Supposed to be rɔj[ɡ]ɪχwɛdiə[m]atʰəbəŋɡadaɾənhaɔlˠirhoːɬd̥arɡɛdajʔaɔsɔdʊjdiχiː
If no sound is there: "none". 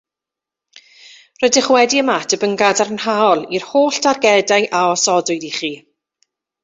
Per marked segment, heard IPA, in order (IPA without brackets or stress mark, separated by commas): d, m